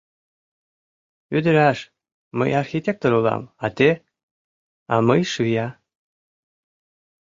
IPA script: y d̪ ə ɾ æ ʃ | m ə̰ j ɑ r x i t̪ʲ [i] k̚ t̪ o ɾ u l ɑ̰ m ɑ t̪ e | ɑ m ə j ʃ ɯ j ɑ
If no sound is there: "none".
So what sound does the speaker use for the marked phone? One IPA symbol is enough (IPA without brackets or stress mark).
e